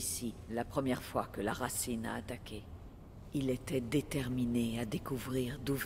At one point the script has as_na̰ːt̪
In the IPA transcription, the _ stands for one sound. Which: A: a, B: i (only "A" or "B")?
B